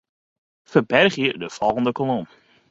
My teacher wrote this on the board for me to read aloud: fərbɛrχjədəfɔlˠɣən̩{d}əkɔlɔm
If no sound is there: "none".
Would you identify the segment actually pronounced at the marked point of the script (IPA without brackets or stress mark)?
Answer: d